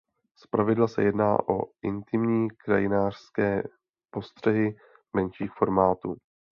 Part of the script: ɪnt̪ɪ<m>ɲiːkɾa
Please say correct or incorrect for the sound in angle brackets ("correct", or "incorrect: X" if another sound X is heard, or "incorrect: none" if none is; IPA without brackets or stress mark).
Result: correct